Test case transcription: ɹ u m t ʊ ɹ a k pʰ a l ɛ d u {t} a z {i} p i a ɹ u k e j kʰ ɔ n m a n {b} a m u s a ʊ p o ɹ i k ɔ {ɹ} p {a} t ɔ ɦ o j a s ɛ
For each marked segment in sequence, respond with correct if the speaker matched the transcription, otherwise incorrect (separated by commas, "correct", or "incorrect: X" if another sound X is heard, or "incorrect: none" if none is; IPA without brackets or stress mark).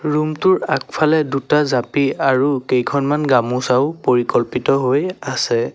correct, incorrect: a, incorrect: ɡ, incorrect: l, incorrect: i